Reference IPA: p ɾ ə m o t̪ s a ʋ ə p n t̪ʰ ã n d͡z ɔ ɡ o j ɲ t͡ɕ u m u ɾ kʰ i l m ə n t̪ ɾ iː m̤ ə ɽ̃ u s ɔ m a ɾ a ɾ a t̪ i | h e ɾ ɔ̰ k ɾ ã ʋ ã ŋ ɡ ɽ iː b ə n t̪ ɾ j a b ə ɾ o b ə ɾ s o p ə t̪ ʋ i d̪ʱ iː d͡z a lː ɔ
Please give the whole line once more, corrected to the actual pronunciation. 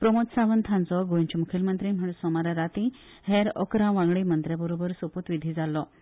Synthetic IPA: p ɾ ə m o t̪ s a ʋ ə n t̪ʰ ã n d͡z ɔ ɡ o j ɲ t͡ɕ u m u kʰ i l m ə n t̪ ɾ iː m̤ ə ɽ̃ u s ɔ m a ɾ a ɾ a t̪ i | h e ɾ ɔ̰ k ɾ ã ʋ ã ŋ ɡ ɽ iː m ə n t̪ ɾ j a b ə ɾ o b ə ɾ s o p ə t̪ ʋ i d̪ʱ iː d͡z a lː ɔ